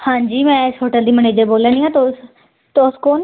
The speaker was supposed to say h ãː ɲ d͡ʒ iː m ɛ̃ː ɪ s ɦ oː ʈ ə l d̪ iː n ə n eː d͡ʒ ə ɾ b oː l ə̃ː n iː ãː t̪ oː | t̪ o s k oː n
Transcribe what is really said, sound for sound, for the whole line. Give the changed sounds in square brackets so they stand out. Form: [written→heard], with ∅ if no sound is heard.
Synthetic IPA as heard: h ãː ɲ d͡ʒ iː m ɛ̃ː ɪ s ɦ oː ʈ ə l d̪ iː [n→m] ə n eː d͡ʒ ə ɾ b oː l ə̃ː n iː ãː t̪ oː | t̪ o s k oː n